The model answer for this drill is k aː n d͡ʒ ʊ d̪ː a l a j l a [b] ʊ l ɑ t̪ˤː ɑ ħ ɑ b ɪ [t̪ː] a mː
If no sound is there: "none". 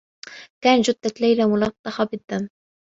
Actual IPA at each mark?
m, d̪ː

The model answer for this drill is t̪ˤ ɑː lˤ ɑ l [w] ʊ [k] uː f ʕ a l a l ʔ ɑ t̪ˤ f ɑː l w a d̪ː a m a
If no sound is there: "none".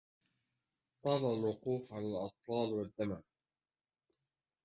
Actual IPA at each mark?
w, q

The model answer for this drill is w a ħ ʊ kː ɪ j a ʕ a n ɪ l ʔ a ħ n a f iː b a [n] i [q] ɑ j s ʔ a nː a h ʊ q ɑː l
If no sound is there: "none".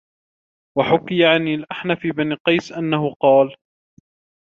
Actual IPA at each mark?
n, q

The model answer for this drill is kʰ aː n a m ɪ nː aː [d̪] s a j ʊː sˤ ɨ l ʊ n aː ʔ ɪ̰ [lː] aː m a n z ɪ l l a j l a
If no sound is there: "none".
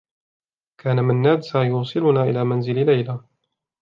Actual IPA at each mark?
d̪, l

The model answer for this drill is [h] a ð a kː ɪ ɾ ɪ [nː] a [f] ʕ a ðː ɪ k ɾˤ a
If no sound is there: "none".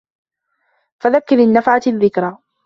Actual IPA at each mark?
f, nː, f

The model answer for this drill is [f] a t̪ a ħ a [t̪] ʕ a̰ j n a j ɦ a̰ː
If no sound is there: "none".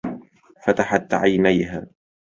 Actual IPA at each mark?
f, t̪

